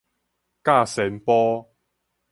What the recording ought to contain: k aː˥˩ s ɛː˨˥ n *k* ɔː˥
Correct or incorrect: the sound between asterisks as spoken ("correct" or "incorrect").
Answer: incorrect